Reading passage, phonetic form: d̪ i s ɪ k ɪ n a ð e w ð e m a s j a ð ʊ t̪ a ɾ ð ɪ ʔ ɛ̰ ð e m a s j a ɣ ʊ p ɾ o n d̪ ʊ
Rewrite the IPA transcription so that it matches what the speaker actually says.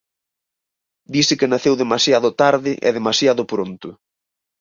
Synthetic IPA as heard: d̪ i s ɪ k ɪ n a θ e w ð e m a s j a ð ʊ t̪ a ɾ ð ɪ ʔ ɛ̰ ð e m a s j a ð ʊ p ɾ o n t̪ ʊ